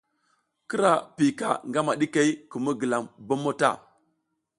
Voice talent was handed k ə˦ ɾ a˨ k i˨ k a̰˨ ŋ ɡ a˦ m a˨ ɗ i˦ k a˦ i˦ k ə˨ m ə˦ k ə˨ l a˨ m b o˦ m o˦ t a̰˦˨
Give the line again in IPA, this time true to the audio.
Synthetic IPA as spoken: k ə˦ ɾ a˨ p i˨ k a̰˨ ŋ ɡ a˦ m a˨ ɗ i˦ k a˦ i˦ k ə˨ m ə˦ ɡ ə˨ l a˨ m b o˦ m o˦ t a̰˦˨